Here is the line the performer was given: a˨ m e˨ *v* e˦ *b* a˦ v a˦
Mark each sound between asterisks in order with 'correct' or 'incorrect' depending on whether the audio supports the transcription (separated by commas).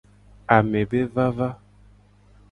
incorrect, incorrect